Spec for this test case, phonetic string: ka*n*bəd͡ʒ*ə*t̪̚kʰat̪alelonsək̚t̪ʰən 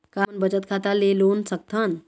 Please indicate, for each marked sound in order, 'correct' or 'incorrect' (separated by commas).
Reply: correct, correct